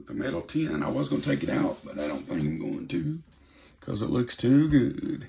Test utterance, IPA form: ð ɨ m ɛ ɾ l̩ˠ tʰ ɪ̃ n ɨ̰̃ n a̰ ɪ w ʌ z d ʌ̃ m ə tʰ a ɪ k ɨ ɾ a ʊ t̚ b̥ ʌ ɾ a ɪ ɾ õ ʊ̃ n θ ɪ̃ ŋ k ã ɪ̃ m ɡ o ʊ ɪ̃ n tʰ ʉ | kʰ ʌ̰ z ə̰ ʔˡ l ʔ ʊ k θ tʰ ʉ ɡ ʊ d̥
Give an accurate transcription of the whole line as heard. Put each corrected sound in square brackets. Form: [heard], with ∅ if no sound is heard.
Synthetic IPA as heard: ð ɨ m ɛ ɾ l̩ˠ tʰ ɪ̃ n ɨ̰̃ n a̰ ɪ w ʌ z [ɡ] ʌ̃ [n] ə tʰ [e] ɪ k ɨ ɾ a ʊ t̚ b̥ ʌ ɾ a ɪ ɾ õ ʊ̃ n θ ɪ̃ ŋ k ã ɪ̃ m ɡ o ʊ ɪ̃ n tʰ ʉ | kʰ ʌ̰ z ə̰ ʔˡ l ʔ ʊ k [s] tʰ ʉ ɡ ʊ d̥